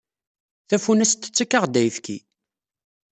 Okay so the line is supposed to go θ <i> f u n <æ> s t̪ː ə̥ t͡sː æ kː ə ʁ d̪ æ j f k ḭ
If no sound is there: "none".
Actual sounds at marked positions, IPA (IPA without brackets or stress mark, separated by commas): æ, æ